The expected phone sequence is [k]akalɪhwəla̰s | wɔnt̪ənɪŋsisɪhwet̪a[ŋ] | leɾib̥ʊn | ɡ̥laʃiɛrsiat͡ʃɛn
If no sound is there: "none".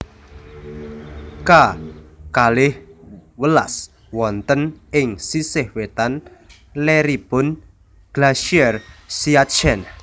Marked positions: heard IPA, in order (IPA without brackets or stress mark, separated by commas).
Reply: k, n